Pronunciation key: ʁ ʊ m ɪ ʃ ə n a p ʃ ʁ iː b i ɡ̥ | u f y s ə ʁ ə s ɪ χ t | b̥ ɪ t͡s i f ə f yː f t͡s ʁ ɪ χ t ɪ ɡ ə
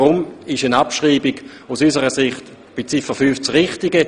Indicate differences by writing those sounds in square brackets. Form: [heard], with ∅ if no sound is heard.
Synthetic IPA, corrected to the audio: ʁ ʊ m ɪ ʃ ə n a p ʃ ʁ iː b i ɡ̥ | u [s] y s ə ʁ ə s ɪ χ t | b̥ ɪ t͡s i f ə f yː f t͡s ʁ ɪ χ t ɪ ɡ ə

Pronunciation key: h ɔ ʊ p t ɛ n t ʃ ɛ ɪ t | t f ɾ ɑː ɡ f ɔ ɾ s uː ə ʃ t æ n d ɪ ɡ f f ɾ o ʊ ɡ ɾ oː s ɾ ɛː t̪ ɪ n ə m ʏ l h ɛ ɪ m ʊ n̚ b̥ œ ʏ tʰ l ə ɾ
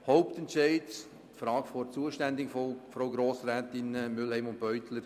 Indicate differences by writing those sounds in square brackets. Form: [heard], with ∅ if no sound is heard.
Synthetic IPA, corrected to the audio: h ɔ ʊ p t ɛ n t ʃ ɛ ɪ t | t f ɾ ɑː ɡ f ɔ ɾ [t͡s] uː ə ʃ t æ n d ɪ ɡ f f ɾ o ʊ ɡ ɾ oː s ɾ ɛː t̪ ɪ n ə m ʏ l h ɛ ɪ m ʊ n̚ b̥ œ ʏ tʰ l ə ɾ

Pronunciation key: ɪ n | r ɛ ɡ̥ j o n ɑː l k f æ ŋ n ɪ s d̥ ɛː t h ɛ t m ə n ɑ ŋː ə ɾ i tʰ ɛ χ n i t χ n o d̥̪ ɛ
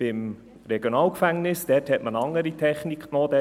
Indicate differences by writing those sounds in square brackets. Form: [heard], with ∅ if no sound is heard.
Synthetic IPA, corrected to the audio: ɪ [m] | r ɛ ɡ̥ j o n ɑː l k f æ ŋ n ɪ s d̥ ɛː t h ɛ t m ə n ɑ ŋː ə ɾ i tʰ ɛ χ n i [k] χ n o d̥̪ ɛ

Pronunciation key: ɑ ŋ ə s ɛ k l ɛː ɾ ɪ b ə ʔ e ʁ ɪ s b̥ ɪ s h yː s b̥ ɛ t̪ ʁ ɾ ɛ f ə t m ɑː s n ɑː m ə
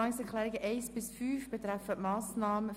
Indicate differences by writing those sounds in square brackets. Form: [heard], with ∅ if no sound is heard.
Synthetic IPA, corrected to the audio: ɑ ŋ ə s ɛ k l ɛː ɾ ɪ [ɡ] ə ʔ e [∅] ɪ s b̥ ɪ s [f] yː [f] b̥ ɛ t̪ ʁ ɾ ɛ f ə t m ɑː s n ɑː m ə

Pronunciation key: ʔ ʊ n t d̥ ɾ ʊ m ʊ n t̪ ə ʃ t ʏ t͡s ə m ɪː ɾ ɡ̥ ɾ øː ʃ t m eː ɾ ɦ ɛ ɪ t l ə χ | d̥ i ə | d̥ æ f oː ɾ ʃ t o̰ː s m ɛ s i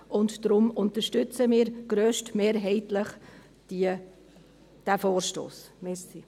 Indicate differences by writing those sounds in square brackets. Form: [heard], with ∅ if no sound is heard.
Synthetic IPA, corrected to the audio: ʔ ʊ n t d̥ ɾ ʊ m ʊ n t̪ ə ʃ t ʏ t͡s ə m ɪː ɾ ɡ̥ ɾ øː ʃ t m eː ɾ ɦ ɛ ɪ t l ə χ | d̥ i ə | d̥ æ f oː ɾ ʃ t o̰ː s m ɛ s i

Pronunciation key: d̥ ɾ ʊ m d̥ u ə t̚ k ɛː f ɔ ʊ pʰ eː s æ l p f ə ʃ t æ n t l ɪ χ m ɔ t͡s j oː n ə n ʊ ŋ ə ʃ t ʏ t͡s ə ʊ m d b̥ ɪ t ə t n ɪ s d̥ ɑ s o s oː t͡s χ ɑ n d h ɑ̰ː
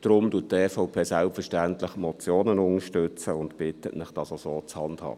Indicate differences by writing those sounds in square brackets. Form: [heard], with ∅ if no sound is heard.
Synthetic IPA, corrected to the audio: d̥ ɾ ʊ m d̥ u ə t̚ [t] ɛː f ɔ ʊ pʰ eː s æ l p f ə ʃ t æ n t l ɪ χ m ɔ t͡s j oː n ə n ʊ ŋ ə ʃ t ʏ t͡s ə ʊ [n] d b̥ ɪ t ə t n ɪ [χ] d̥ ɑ s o s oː t͡s [h] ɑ n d h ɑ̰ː

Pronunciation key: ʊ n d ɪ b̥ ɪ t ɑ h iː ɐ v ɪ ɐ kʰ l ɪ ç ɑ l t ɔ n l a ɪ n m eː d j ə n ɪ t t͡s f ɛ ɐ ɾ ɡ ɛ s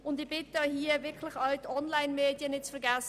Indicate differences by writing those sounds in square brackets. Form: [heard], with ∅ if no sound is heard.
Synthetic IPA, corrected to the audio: ʊ n d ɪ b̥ ɪ t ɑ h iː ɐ v ɪ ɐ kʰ l ɪ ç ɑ l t ɔ n l a ɪ n m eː d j ə n ɪ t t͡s f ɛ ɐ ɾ ɡ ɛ s

